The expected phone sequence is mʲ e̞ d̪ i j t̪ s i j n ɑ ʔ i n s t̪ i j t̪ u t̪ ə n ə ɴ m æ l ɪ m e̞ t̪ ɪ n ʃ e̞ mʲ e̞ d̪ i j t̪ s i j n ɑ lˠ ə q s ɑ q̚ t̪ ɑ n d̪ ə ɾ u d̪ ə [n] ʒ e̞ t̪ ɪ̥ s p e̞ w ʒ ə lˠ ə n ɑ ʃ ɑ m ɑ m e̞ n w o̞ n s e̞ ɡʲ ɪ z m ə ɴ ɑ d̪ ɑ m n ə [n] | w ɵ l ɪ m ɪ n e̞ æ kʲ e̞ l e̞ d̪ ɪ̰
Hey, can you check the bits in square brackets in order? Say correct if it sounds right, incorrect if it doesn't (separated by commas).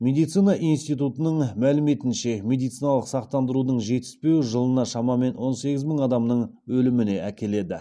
incorrect, incorrect